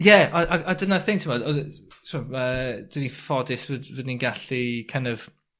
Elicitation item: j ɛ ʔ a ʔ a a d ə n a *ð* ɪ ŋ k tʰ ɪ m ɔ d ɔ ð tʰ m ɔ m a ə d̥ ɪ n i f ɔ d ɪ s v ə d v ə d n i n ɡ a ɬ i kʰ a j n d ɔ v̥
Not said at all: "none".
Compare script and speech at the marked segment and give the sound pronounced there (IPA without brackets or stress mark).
θ